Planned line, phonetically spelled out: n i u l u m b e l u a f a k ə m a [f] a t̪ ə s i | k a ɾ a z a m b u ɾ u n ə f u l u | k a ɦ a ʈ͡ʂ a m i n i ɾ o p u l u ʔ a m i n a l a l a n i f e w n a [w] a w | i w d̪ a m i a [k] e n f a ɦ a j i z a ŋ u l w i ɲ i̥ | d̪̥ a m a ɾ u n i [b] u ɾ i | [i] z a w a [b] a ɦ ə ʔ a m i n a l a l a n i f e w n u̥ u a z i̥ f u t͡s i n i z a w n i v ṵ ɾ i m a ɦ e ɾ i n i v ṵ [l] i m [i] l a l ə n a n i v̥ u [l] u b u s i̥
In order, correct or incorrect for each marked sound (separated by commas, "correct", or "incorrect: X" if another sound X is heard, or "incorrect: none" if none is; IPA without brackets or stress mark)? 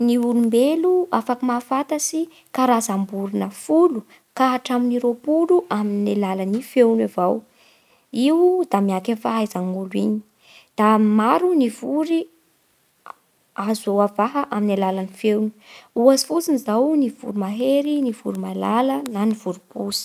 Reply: correct, incorrect: v, correct, incorrect: v, incorrect: a, incorrect: v, incorrect: ɾ, incorrect: a, incorrect: ɾ